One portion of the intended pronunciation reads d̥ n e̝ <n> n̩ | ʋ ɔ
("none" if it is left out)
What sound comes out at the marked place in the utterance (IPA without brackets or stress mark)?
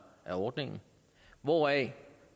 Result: ŋ